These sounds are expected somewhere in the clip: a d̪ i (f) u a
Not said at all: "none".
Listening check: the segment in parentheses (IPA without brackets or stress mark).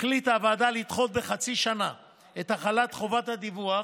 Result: v